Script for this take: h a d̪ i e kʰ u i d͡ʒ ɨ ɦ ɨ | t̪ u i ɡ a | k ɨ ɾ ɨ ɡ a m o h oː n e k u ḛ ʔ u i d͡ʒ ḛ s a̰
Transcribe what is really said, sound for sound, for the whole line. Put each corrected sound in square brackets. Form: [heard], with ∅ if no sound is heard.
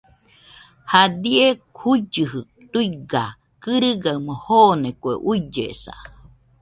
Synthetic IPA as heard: h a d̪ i e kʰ u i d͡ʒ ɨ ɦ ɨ | t̪ u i ɡ a | k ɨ ɾ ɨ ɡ a m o h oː n e k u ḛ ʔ u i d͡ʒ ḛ s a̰